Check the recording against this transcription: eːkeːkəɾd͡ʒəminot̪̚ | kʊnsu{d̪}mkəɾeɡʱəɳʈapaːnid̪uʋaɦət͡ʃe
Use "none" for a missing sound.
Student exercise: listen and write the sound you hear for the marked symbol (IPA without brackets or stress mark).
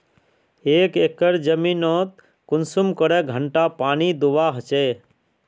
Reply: none